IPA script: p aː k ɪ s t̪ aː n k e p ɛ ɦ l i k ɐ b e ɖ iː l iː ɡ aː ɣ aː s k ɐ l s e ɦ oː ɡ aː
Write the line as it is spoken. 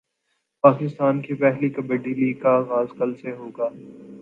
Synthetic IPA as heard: p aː k ɪ s t̪ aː n k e p ɛ ɦ l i k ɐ b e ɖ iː l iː k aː ɣ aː z k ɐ l s e ɦ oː ɡ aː

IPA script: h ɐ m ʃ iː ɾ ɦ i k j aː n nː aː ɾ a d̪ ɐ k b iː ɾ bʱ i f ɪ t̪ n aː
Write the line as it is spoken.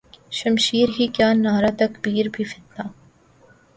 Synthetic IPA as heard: ʃ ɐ m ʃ iː ɾ ɦ i k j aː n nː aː ɾ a t̪ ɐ k b iː ɾ bʱ i f ɪ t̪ n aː

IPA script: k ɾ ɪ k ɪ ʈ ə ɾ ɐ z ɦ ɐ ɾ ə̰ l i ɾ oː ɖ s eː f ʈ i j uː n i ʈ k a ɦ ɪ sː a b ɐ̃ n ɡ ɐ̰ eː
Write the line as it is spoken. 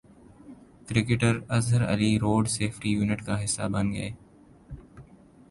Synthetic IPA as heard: k ɾ ɪ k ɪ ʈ ə ɾ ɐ z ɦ ə ɾ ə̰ l i ɾ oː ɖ s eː f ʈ i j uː n ɪ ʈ k a ɦ ɪ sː a b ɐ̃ n ɡ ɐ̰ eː

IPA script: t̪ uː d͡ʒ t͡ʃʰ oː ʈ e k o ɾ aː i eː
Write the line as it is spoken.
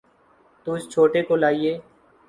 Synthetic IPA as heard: t̪ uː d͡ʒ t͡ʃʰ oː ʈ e k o l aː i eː

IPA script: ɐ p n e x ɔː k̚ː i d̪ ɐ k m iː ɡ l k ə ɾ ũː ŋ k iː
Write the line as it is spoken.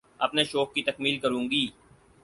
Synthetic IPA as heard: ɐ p n e ʃ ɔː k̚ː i t̪ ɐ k m iː l k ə ɾ ũː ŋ ɡ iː

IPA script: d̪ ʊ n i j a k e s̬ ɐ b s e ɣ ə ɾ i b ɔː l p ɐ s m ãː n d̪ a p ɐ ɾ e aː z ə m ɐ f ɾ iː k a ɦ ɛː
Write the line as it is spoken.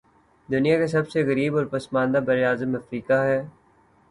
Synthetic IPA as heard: d̪ ʊ n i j a k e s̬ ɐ b s e ɣ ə ɾ iː b ɔː ɾ p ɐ s m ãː n d̪ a b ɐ ɾ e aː z ə m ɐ f ɾ iː k a ɦ ɛː

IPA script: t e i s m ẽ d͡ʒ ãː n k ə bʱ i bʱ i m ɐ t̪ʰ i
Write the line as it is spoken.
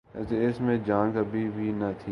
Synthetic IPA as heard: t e ɪ s m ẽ d͡ʒ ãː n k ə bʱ i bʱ i n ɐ t̪ʰ i

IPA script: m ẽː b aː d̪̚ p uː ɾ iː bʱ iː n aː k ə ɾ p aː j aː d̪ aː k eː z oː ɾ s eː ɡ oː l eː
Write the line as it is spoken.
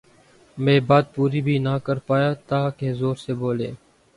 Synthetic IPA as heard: m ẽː b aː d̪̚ p uː ɾ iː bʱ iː n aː k ə ɾ p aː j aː t̪ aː k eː z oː ɾ s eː b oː l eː

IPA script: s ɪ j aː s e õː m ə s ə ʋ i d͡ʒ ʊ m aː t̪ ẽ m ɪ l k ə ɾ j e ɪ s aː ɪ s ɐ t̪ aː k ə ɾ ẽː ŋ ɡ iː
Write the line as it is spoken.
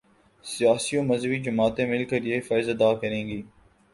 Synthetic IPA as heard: s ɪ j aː s i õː m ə z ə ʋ i d͡ʒ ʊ m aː t̪ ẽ m ɪ l k ə ɾ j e ɪ f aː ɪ z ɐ d̪ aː k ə ɾ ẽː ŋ ɡ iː

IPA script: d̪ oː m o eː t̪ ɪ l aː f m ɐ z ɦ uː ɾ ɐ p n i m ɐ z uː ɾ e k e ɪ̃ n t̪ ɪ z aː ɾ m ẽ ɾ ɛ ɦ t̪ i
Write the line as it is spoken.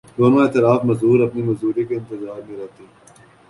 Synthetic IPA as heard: d̪ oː n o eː t̪ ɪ l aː f m ɐ z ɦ uː ɾ ɐ p n i m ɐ z uː ɾ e k e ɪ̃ n t̪ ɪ z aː ɾ m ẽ ɾ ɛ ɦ t̪ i

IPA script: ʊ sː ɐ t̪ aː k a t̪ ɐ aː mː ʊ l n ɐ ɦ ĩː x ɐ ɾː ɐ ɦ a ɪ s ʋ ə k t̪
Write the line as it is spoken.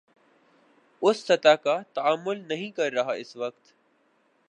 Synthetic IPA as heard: ʊ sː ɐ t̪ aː k a t̪ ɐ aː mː ʊ l n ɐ ɦ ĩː k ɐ ɾː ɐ ɦ a ɪ s ʋ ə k t̪

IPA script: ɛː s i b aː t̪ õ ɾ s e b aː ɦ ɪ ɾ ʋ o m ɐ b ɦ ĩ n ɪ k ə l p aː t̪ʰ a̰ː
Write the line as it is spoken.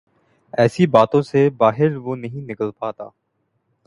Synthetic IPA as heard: ɛː s i b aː t̪ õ s e b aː ɦ ɪ ɾ ʋ o n ɐ ɦ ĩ n ɪ k ə l p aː t̪ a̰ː

